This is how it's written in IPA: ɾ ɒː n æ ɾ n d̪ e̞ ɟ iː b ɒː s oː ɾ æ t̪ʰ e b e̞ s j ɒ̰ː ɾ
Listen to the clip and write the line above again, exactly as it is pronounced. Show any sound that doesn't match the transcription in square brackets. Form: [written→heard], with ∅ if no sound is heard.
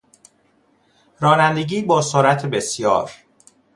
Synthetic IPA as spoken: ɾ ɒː n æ [ɾ→∅] n d̪ e̞ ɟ iː b ɒː s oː ɾ æ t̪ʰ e b e̞ s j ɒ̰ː ɾ